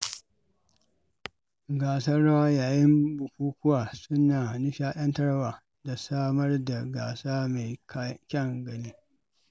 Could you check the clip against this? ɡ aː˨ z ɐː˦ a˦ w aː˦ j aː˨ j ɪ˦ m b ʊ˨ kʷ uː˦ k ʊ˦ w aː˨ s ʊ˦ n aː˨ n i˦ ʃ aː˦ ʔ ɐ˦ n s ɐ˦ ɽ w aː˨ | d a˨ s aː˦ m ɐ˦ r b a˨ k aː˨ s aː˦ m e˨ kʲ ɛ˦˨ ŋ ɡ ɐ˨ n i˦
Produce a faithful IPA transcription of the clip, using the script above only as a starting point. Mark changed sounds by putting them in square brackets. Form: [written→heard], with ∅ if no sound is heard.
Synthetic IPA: ɡ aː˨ [z→s] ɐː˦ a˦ w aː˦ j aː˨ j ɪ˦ m b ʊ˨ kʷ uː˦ k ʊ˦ w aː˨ s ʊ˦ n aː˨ n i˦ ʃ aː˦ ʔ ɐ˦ n [s→t] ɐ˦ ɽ w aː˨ | d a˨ s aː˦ m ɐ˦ r [b→d] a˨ [k→ɡ] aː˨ s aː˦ m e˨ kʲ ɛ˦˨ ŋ ɡ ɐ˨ n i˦